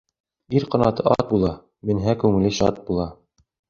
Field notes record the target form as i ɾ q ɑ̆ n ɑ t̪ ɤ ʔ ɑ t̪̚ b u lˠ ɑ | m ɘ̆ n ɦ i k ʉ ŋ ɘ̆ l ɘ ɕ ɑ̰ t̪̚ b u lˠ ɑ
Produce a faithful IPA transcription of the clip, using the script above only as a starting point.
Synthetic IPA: i ɾ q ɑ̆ n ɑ t̪ ɤ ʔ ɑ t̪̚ b u lˠ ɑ | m ɘ̆ n ɦ æ k ʉ ŋ ɘ̆ l ɘ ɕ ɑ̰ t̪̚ b u lˠ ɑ